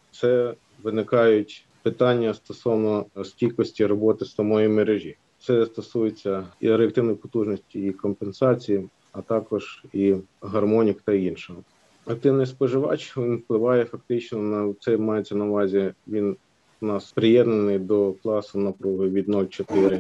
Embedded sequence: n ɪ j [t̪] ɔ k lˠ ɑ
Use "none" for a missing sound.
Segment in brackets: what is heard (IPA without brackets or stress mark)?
d̪